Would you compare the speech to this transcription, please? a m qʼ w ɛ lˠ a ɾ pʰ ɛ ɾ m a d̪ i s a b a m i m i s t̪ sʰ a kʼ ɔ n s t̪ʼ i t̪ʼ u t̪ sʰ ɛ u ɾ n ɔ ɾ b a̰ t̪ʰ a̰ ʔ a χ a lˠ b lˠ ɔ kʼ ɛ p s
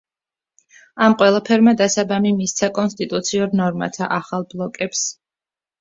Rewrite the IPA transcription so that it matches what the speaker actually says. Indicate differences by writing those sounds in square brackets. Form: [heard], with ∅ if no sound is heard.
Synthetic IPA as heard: a m qʼ w ɛ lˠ a [∅] pʰ ɛ ɾ m a d̪ [a] s a b a m i m i s t̪ sʰ a kʼ ɔ n s t̪ʼ i t̪ʼ u t̪ sʰ [i] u ɾ n ɔ ɾ [m] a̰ t̪ʰ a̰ ʔ a χ a lˠ b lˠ ɔ kʼ ɛ p s

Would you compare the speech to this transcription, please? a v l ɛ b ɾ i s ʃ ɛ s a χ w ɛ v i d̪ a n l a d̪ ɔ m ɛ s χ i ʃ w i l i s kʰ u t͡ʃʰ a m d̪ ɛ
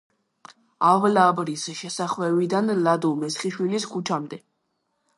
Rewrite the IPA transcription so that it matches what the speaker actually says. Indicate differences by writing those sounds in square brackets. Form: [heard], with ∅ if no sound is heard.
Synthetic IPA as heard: a v l [a] b ɾ i s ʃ ɛ s a χ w ɛ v i d̪ a n l a d̪ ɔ m ɛ s χ i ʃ w i l i s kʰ u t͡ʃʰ a m d̪ ɛ

